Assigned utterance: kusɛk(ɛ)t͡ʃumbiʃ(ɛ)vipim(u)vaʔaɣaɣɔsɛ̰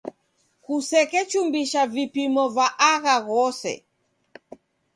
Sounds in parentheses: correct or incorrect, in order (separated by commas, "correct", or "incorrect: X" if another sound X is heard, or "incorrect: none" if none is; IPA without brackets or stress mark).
correct, incorrect: a, incorrect: ɔ